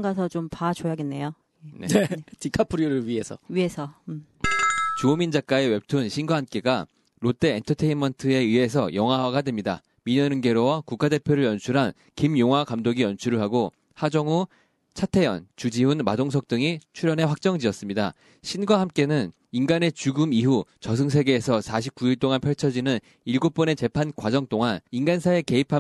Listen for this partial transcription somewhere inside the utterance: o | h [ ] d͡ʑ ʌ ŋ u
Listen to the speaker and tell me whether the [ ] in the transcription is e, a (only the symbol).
a